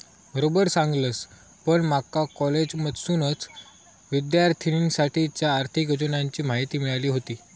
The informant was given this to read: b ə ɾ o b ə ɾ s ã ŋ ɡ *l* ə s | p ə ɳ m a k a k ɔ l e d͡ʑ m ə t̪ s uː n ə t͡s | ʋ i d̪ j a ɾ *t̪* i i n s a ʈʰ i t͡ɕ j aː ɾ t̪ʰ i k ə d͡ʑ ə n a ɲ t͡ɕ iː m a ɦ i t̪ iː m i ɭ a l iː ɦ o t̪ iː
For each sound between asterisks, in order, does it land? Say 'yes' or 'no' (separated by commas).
yes, no